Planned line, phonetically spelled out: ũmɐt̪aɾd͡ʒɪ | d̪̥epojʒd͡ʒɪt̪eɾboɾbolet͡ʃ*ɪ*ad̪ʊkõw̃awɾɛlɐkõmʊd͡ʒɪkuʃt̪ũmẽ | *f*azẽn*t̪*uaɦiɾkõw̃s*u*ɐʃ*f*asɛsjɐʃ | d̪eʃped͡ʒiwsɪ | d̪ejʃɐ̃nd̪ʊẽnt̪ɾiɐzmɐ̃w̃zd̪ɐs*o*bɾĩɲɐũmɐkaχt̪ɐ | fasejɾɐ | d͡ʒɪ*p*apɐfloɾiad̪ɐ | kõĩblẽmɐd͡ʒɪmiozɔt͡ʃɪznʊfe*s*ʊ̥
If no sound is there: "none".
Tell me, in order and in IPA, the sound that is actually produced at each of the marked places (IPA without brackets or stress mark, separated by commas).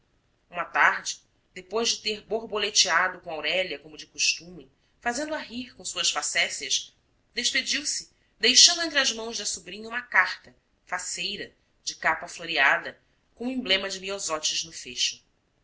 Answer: i, f, d̪, u, f, u, k, ʃ